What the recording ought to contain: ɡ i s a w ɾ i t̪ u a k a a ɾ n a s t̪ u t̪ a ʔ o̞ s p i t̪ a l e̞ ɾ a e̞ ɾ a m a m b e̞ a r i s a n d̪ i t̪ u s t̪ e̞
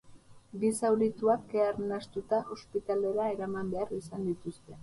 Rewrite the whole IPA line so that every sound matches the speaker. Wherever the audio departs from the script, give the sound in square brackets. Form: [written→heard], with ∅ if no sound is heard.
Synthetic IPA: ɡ i s a w ɾ i t̪ u a k [a→e] a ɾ n a s t̪ u t̪ a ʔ o̞ s p i t̪ a l e̞ ɾ a e̞ ɾ a m a m b e̞ a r i s a n d̪ i t̪ u s t̪ e̞